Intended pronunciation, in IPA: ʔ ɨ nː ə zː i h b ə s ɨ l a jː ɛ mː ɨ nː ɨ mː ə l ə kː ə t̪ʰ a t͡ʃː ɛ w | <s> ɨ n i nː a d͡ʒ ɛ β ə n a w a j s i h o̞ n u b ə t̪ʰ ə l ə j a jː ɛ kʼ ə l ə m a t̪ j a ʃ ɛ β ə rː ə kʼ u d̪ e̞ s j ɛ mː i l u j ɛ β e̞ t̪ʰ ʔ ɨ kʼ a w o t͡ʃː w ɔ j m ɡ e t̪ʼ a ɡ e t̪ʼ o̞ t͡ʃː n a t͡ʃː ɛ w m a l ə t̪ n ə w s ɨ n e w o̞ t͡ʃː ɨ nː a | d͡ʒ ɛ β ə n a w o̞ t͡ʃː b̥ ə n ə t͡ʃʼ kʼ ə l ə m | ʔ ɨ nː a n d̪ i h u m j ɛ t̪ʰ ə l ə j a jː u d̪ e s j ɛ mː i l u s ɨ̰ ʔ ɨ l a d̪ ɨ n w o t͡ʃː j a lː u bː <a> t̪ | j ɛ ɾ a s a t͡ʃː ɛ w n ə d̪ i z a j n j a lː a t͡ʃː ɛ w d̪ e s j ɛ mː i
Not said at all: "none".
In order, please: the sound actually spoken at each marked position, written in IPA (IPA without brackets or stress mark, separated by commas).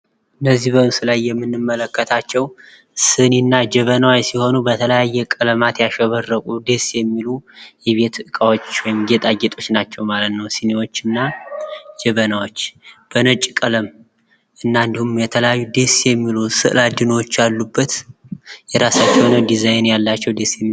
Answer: s, ə